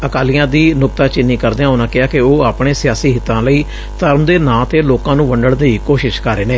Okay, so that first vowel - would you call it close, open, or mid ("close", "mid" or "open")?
mid